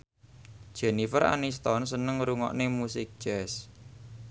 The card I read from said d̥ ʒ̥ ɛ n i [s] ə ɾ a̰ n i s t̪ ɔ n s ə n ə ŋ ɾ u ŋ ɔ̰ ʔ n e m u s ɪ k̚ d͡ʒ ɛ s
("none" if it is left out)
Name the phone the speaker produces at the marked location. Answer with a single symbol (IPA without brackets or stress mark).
f